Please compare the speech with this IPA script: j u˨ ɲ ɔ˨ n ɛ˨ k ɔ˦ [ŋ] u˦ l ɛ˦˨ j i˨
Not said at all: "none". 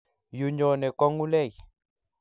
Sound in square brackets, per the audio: ŋ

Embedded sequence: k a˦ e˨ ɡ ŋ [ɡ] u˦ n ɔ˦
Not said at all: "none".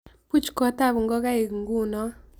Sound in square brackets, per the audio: ɡ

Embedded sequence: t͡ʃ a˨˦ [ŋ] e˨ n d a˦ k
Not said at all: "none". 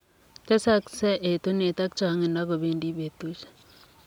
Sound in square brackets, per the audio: ŋ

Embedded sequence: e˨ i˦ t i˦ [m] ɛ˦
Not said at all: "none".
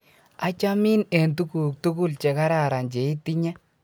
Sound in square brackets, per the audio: ɲ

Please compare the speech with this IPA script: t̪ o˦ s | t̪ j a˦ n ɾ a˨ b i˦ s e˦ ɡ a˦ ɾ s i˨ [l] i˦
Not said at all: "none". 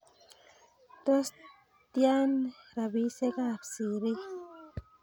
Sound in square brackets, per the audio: ɾ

